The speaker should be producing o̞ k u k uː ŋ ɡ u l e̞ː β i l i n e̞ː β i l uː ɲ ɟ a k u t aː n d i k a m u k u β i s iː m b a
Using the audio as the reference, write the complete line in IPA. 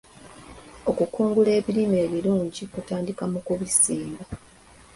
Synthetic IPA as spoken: o̞ k u k uː ŋ ɡ u l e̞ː β i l i m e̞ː β i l uː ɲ ɟ i k u t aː n d i k a m u k u β i s iː m b a